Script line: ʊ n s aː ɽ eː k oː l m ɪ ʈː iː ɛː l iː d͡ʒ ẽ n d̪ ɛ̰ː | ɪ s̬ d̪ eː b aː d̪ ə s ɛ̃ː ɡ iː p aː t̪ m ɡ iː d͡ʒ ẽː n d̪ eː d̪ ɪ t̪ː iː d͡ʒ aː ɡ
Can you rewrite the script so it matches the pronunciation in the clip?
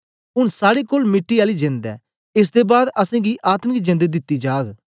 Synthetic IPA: ʊ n s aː ɽ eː k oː l m ɪ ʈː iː aː l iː d͡ʒ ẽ n d̪ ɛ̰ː | ɪ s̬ d̪ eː b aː d̪ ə s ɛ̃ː ɡ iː ʔ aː t̪ m ɡ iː d͡ʒ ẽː n d̪ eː d̪ ɪ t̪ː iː d͡ʒ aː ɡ